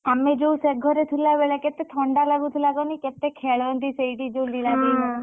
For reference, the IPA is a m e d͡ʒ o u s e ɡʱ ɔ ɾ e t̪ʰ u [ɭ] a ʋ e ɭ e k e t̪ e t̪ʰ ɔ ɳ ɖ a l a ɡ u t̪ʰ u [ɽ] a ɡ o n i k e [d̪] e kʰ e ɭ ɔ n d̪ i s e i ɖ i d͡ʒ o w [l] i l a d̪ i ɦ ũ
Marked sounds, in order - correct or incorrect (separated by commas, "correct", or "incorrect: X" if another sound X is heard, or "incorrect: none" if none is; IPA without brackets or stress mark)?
incorrect: l, incorrect: l, incorrect: t̪, correct